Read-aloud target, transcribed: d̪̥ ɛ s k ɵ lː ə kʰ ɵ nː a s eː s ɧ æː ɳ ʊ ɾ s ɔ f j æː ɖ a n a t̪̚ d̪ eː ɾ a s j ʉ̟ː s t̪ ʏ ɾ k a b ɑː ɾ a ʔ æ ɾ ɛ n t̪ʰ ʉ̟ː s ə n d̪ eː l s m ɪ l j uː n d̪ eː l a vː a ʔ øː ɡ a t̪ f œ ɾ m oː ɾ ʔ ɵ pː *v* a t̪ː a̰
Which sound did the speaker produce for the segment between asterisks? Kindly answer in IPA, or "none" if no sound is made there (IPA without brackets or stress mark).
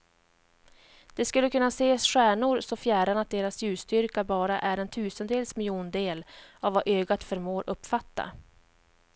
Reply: f